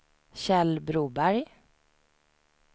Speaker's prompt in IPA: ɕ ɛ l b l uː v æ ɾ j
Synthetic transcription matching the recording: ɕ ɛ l b ɾ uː b æ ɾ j